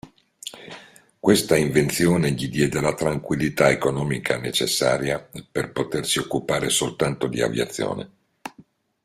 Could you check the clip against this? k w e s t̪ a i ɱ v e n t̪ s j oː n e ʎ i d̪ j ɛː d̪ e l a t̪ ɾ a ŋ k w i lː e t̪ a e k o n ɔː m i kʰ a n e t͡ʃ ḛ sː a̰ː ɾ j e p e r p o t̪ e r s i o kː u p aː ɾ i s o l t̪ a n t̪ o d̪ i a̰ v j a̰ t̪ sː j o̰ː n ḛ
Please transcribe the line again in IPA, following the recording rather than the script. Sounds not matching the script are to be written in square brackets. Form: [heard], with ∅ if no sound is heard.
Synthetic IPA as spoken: k w e s t̪ a i ɱ v e n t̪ s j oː n e ʎ i d̪ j ɛː d̪ e l a t̪ ɾ a ŋ k w i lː [i] t̪ a e k o n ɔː m i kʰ a n e t͡ʃ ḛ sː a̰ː ɾ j [a] p e r p o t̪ e r s i o kː u p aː ɾ [e] s o l t̪ a n t̪ o d̪ i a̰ v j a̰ t̪ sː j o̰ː n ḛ